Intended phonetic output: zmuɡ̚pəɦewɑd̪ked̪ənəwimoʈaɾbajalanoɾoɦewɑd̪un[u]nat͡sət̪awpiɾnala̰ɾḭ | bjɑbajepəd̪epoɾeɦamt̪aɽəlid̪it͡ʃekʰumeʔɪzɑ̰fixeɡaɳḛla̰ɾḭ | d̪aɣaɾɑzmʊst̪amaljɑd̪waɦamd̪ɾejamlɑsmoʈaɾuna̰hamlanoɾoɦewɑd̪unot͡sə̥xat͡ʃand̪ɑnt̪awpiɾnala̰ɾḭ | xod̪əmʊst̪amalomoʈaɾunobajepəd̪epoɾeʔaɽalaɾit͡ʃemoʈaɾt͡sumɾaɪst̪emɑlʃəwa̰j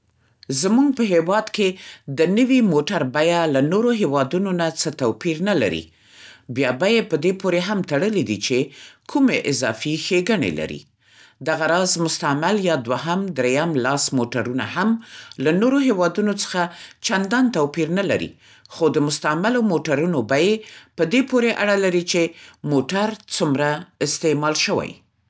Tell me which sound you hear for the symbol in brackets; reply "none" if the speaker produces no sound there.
o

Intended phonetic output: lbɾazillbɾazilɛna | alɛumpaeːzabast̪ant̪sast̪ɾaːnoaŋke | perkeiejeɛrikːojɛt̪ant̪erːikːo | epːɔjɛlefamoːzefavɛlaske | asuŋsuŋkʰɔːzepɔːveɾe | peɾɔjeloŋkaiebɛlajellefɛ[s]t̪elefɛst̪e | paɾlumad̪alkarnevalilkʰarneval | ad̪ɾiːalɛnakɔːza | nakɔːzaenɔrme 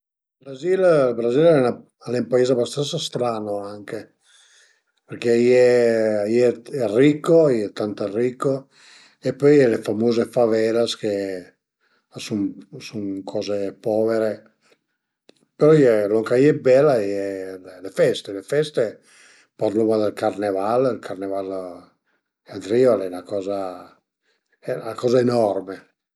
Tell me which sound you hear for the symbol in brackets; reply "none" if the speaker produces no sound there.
s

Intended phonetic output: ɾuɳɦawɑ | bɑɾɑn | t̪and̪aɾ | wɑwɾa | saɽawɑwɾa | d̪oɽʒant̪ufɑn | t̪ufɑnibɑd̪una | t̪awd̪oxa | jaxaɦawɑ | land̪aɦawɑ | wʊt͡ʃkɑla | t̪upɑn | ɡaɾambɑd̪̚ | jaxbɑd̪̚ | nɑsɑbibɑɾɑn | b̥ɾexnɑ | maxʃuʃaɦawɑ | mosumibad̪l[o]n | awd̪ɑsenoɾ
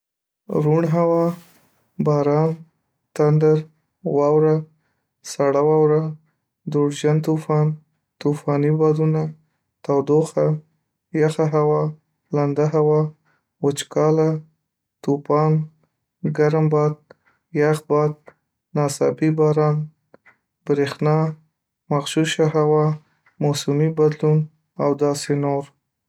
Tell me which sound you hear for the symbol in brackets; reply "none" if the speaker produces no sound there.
u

